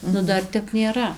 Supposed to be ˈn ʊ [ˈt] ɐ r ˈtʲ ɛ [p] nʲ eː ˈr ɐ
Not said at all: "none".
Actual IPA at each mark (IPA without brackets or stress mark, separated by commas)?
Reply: d, p